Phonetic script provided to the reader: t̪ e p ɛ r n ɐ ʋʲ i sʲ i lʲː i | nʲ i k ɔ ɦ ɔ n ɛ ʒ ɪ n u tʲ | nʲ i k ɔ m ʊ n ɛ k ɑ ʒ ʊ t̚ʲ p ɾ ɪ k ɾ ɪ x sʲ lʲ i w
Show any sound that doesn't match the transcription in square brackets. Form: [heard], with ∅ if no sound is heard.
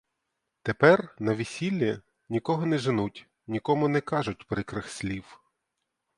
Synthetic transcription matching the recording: t̪ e p ɛ r n ɐ ʋʲ i sʲ i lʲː i | nʲ i k ɔ ɦ ɔ n ɛ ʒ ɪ n u tʲ | nʲ i k ɔ m ʊ n ɛ k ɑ ʒ ʊ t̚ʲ p ɾ ɪ k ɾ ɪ x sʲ lʲ i w